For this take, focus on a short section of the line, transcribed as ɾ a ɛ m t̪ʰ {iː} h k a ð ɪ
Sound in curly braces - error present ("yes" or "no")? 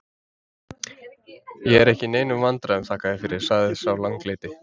yes